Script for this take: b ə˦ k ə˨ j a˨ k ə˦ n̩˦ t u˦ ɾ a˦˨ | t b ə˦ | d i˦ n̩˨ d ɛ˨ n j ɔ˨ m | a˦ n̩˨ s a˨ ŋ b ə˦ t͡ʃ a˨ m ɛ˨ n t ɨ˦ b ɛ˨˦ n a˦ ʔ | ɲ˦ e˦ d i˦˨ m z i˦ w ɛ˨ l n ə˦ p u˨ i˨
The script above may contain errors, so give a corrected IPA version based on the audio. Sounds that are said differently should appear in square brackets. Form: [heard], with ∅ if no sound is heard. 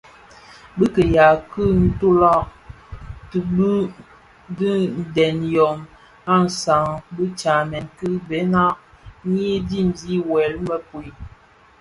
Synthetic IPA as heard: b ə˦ k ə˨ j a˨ k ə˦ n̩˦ t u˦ [l] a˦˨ | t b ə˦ | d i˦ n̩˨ d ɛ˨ n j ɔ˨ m | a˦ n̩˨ s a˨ ŋ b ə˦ t͡ʃ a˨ m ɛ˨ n [k] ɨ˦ b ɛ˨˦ n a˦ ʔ | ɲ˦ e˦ d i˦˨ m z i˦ w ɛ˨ l [m] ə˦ p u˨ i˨